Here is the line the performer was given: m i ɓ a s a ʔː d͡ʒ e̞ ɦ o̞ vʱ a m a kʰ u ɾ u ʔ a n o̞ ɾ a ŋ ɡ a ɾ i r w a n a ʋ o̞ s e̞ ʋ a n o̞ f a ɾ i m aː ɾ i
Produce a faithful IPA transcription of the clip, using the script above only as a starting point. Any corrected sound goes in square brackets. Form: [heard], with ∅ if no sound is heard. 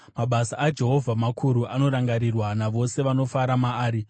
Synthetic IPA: m [a] ɓ a s a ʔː d͡ʒ e̞ ɦ o̞ vʱ a m a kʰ u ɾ u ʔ a n o̞ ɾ a ŋ ɡ a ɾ i r w a n a ʋ o̞ s e̞ ʋ a n o̞ f a ɾ [a] m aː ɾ i